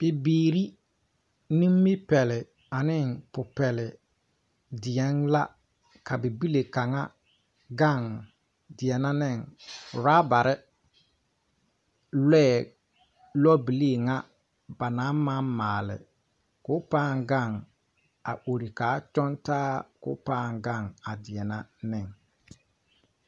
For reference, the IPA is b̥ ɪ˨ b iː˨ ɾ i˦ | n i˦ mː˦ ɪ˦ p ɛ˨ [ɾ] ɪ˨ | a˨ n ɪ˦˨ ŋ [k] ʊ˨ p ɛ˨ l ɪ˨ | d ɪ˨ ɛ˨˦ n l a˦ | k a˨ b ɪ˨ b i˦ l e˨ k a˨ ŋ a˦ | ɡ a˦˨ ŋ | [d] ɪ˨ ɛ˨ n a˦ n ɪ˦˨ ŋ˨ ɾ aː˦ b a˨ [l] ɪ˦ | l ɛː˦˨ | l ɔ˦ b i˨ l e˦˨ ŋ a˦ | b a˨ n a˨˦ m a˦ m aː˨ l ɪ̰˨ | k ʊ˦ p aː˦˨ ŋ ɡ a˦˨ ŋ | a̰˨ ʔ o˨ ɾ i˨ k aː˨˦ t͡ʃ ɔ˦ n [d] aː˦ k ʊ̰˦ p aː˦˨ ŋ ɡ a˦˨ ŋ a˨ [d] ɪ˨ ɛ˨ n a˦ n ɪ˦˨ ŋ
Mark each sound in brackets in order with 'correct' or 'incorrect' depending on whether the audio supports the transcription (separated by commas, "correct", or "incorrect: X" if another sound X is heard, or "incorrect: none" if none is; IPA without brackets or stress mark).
incorrect: l, incorrect: p, correct, incorrect: ɾ, incorrect: t, correct